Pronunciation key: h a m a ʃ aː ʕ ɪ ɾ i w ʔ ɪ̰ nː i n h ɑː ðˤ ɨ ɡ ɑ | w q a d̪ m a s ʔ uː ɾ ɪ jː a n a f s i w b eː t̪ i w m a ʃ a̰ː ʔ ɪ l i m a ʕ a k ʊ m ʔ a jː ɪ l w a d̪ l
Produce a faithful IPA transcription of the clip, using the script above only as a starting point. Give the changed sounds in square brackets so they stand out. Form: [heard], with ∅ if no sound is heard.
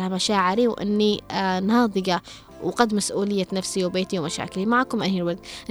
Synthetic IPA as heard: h a m a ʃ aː ʕ ɪ ɾ i w ʔ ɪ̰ nː i n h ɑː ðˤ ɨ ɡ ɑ | w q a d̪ m a s ʔ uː [l] ɪ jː a n a f s i w b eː t̪ i w m a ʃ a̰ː [k] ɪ l i m a ʕ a k ʊ m ʔ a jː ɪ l w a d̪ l